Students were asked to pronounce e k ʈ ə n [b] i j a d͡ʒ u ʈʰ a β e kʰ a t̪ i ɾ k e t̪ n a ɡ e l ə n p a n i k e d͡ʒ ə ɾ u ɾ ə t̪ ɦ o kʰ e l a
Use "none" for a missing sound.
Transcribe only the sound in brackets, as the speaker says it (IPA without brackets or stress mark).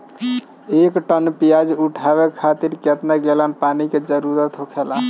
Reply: p